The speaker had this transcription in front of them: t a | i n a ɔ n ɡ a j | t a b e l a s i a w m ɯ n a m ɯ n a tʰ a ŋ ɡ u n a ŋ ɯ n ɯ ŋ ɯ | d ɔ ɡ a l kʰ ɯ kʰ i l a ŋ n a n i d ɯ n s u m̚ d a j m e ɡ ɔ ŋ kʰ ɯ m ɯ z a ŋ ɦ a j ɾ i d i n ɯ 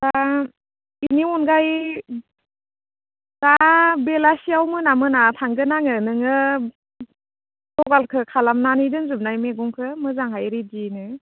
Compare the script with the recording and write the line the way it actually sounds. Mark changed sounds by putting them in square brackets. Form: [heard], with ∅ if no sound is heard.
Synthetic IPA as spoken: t a | i n [i] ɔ n ɡ a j | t a b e l a s i a w m ɯ n a m ɯ n a tʰ a ŋ ɡ [ɯ] n a ŋ ɯ n ɯ ŋ ɯ | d ɔ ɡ a l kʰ ɯ kʰ [a] l a [m] n a n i d ɯ n [z] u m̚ [n] a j m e ɡ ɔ ŋ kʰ ɯ m ɯ z a ŋ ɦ a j ɾ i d i n ɯ